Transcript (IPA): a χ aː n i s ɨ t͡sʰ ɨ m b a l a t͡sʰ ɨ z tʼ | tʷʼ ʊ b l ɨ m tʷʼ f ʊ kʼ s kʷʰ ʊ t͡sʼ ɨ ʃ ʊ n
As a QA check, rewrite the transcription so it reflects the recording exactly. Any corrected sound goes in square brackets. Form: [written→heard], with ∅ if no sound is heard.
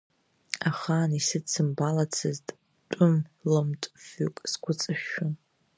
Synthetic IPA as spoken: a χ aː n i s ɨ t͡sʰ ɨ m b a l a t͡sʰ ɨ z tʼ | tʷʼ ʊ [b→m] l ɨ m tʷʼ f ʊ kʼ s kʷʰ ʊ t͡sʼ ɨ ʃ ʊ n